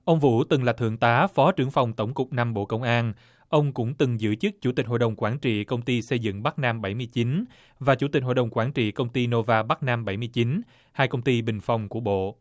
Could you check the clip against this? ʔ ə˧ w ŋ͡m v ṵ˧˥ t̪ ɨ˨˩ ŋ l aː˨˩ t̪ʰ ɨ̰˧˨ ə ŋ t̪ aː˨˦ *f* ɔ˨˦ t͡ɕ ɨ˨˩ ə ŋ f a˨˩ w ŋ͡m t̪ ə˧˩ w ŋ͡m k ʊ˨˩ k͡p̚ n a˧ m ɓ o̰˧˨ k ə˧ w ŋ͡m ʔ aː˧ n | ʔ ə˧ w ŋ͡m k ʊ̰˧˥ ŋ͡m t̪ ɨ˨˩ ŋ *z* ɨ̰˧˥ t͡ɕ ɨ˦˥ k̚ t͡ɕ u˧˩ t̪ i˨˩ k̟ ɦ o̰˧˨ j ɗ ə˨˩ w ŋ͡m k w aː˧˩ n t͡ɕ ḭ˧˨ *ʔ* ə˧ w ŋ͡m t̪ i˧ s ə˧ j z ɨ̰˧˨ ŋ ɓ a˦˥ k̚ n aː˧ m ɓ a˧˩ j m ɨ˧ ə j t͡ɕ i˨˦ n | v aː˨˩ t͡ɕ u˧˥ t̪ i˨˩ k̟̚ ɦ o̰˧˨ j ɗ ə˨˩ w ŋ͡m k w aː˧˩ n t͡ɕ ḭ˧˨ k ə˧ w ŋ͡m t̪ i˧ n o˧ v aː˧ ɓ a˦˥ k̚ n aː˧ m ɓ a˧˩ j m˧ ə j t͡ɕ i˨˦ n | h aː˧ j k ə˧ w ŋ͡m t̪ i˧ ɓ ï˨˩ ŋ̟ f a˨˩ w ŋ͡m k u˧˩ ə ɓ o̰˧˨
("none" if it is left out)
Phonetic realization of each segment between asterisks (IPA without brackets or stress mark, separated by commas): f, z, k